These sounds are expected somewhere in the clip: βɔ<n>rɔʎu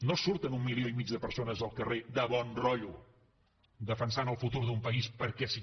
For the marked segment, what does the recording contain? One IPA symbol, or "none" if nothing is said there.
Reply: n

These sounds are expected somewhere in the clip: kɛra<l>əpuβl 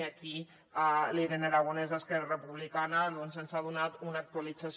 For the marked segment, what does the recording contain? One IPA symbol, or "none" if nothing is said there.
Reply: r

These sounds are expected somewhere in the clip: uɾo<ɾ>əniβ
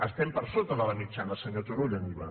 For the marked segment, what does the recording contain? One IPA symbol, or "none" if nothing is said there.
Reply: ʎ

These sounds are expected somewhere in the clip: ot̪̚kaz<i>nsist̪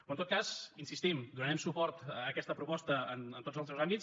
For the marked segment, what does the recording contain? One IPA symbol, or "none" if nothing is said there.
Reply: i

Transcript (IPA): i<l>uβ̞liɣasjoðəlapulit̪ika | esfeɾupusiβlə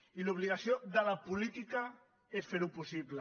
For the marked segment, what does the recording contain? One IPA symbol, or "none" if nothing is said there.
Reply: l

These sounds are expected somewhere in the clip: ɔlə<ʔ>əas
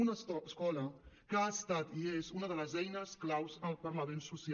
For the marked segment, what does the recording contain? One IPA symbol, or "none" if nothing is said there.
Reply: k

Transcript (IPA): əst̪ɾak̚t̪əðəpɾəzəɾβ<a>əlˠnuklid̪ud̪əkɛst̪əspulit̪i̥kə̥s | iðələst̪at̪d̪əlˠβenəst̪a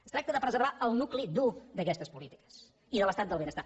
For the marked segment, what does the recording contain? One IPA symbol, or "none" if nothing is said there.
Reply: a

